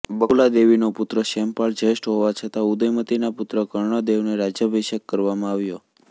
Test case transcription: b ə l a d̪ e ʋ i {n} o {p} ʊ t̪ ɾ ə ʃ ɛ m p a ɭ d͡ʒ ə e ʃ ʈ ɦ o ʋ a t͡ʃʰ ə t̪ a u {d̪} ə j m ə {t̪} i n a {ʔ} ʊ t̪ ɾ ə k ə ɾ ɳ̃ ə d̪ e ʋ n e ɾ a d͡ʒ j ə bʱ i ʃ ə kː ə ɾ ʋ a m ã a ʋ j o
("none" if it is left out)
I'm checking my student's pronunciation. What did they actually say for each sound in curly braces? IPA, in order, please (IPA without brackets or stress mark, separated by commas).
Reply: n, p, d̪, t̪, p